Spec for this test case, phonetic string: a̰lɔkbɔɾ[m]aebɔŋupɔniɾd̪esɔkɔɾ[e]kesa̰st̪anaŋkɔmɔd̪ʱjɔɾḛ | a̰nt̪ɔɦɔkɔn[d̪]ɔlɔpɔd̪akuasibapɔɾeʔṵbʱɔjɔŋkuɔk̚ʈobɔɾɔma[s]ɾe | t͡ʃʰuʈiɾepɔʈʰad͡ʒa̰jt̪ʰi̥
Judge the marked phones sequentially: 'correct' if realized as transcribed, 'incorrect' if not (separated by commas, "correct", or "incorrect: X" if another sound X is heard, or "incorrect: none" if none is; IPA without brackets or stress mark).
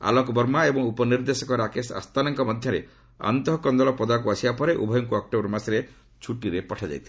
correct, incorrect: a, correct, correct